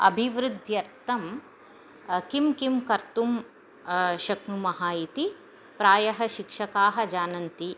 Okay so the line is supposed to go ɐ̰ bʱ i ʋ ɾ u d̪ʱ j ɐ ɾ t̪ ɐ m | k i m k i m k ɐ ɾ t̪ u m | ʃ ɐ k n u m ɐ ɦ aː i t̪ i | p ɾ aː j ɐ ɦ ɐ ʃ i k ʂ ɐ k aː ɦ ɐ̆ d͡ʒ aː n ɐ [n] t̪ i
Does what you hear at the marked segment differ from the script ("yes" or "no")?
no